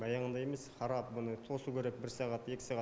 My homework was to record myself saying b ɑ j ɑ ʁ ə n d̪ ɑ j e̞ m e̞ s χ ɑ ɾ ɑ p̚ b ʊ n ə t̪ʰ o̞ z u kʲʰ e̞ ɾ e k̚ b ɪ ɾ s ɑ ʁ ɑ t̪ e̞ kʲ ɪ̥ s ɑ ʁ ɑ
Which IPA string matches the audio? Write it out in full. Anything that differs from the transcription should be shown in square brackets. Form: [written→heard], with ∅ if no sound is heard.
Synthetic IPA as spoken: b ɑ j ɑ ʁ ə n d̪ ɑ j e̞ m e̞ s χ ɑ ɾ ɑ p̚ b ʊ n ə t̪ʰ o̞ [z→s] u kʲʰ e̞ ɾ e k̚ b ɪ ɾ s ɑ ʁ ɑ t̪ e̞ kʲ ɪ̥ s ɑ ʁ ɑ